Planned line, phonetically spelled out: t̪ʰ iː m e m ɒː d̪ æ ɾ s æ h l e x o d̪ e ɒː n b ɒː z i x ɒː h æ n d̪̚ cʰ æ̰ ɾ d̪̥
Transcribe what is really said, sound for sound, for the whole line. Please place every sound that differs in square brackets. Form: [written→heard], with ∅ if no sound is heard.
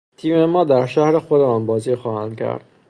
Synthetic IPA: t̪ʰ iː m e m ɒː d̪ æ ɾ [s→ʃ] æ h [l→ɾ] e x o d̪ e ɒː n b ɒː z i x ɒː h æ n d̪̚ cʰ æ̰ ɾ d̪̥